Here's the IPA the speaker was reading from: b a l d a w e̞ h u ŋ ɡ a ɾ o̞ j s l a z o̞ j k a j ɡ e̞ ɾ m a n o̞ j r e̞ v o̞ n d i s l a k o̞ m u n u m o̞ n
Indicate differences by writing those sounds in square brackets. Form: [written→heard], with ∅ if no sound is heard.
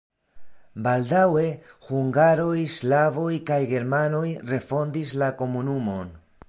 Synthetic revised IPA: b a l d a w e̞ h u ŋ ɡ a ɾ o̞ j s l a [z→v] o̞ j k a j ɡ e̞ ɾ m a n o̞ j r e̞ [v→f] o̞ n d i s l a k o̞ m u n u m o̞ n